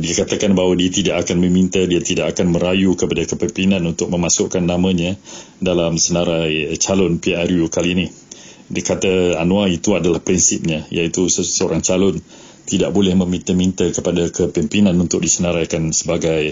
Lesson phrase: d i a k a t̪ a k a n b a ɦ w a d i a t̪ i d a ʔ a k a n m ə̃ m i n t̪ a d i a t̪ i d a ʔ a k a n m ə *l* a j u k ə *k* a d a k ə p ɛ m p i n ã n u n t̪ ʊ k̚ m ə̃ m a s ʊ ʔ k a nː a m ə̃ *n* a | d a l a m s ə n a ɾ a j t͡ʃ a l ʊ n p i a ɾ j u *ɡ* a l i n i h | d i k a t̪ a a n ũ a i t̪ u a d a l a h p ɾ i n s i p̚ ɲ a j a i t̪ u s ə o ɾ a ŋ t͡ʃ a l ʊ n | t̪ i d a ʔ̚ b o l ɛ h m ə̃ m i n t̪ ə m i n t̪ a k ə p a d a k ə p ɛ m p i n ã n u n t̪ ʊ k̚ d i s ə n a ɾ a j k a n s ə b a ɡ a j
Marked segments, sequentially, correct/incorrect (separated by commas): incorrect, incorrect, incorrect, incorrect